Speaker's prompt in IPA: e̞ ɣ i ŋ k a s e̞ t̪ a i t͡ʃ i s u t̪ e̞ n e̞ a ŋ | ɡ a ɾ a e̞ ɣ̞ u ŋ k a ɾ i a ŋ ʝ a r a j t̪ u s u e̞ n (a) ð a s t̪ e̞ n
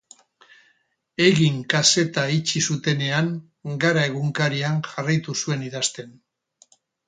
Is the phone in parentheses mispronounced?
yes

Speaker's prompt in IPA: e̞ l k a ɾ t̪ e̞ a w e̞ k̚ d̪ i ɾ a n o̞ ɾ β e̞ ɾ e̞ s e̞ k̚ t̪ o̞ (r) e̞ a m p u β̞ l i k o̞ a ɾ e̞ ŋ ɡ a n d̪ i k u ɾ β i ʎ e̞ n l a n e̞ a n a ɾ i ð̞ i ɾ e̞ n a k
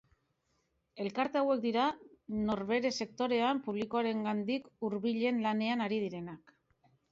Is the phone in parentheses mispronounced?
yes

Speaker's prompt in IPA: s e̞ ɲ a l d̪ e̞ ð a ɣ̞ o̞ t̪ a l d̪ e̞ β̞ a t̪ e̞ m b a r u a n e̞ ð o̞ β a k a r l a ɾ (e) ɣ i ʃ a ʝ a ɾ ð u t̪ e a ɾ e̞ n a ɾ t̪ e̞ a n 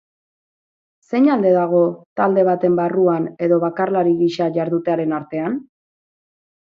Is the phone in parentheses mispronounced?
yes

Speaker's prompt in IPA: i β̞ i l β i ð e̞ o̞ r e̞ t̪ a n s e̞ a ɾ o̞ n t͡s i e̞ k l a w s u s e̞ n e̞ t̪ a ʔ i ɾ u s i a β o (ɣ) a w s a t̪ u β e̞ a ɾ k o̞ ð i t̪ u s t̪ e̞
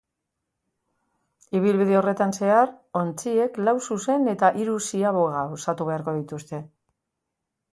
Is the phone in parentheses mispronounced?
no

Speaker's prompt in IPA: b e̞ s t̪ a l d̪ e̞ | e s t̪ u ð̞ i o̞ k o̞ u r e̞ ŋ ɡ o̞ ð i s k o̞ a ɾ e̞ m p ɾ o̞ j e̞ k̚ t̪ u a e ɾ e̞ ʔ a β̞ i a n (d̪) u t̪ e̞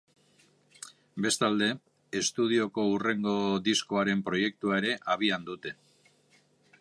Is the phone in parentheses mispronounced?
no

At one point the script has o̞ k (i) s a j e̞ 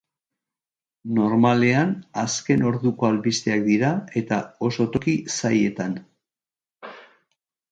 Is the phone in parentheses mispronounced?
no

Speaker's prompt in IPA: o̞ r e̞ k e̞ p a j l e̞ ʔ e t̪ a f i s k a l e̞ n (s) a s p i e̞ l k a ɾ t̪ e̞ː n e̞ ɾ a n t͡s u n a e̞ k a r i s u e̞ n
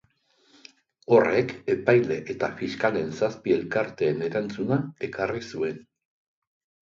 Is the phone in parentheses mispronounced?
no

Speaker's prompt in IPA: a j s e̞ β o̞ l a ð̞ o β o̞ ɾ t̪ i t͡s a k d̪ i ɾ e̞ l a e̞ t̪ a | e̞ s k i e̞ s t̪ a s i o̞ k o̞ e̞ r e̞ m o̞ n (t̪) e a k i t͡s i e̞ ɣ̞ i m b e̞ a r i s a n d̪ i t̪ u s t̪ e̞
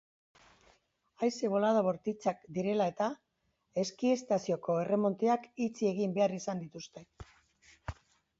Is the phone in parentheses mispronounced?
no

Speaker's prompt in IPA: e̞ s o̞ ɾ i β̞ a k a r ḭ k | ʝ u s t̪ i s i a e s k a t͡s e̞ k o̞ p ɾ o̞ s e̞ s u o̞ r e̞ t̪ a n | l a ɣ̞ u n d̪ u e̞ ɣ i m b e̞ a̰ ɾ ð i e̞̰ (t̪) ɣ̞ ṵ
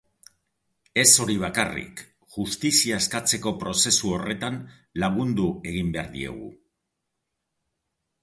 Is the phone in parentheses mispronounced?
yes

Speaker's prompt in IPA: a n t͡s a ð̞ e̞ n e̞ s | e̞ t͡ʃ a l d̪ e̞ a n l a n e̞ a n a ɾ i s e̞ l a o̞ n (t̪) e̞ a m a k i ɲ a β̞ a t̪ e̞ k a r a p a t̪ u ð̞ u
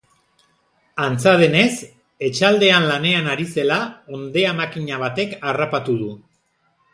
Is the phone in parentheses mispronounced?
yes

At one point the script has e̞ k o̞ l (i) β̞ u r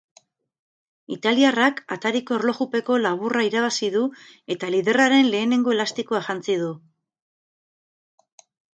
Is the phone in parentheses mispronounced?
yes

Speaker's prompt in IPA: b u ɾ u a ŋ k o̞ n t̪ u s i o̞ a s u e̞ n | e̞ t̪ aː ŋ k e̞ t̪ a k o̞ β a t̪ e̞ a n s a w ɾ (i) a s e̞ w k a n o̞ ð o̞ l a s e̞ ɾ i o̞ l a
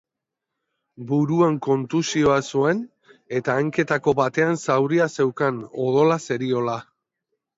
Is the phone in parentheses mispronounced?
no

